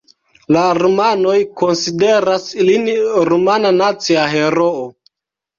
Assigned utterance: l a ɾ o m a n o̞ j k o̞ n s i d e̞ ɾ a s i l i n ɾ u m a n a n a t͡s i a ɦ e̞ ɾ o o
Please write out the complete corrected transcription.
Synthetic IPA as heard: l a ɾ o m a n o̞ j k o̞ n s i d e̞ ɾ a s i l i n ɾ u m a n a n a t͡s i a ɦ e̞ ɾ o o